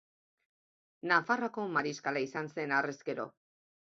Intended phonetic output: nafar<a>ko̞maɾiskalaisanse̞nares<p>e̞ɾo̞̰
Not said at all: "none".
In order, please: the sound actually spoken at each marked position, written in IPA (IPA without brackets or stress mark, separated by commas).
a, k